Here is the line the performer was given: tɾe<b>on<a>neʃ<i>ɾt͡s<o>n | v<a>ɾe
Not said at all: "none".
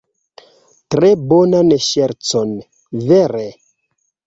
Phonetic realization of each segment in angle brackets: b, a, e, o, e

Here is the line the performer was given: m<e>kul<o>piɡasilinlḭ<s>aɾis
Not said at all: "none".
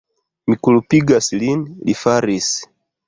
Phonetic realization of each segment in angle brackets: i, u, f

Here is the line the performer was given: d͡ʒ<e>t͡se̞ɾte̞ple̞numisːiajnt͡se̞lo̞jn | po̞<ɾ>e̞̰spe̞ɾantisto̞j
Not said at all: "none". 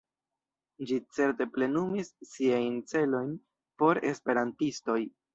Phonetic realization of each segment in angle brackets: i, ɾ

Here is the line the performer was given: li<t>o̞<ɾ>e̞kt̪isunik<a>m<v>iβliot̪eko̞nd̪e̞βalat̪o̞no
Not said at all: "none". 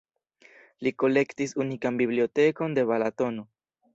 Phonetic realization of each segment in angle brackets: k, l, a, b

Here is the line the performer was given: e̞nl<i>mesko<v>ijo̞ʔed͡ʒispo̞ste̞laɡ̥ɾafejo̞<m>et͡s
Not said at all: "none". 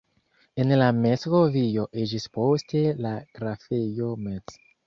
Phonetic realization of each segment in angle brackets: a, v, m

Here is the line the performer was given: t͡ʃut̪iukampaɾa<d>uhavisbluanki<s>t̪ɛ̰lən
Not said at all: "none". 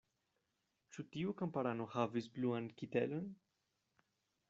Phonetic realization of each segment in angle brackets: n, none

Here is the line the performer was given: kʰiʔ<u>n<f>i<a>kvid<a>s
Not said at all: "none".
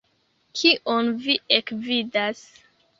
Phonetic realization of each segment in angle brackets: o, v, e, a

